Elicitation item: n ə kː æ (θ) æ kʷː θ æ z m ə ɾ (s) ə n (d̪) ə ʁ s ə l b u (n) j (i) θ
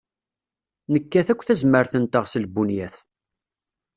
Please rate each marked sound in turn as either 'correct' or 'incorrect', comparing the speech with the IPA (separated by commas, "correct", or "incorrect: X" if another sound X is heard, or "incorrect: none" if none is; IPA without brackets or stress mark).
correct, incorrect: θ, incorrect: t̪, correct, incorrect: æ